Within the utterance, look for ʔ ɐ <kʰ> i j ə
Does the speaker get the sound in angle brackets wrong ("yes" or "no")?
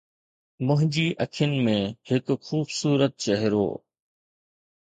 no